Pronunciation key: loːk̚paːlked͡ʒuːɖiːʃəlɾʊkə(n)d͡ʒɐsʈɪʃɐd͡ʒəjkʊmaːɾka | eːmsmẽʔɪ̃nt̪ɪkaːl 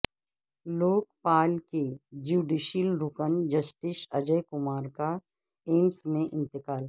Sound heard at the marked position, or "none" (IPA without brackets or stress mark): n